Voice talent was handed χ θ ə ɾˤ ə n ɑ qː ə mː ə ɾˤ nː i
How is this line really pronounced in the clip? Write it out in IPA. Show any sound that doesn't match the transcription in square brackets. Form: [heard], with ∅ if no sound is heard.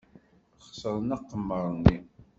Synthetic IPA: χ [s] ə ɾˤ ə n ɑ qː ə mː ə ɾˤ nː i